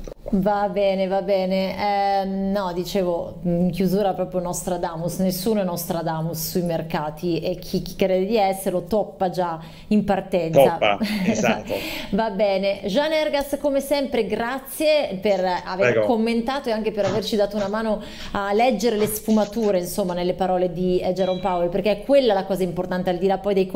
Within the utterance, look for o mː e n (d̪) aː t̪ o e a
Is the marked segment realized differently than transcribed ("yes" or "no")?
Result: yes